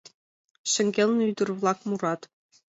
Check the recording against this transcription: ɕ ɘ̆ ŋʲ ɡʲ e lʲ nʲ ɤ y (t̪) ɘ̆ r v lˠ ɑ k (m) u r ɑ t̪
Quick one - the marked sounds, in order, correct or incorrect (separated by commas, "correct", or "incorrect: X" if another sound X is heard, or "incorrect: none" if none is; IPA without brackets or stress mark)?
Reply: incorrect: d̪, correct